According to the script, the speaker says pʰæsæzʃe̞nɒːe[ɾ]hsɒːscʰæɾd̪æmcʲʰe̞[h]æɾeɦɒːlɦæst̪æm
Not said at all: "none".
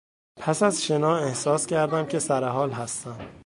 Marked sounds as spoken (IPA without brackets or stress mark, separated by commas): none, s